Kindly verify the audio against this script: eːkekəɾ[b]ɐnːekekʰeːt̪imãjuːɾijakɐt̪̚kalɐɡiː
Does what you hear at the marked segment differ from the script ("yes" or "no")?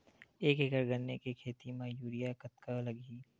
yes